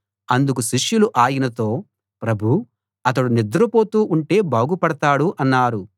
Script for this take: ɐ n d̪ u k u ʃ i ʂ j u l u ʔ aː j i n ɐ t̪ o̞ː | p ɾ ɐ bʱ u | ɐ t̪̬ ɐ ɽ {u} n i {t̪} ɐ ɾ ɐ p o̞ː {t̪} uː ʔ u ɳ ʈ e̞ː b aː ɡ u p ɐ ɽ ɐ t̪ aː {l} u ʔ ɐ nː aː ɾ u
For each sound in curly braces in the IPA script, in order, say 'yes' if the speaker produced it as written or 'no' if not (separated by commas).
yes, no, yes, no